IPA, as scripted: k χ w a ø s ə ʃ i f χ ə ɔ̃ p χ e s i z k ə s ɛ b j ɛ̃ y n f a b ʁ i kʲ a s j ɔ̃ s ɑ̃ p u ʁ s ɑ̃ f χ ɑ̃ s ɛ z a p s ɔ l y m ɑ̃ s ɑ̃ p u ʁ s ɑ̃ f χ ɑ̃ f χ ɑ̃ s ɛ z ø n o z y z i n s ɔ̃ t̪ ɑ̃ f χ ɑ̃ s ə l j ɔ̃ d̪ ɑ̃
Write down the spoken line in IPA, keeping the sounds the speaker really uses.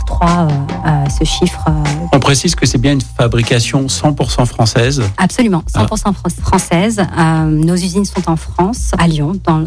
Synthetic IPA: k χ w a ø s ə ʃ i f χ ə ɔ̃ p χ e s i z k ə s ɛ b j ɛ̃ y n f a b ʁ i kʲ a s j ɔ̃ s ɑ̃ p u ʁ s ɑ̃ f χ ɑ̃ s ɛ z a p s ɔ l y m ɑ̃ s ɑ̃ p u ʁ s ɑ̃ f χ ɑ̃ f χ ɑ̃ s ɛ z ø n o z y z i n s ɔ̃ t̪ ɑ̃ f χ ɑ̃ s a l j ɔ̃ d̪ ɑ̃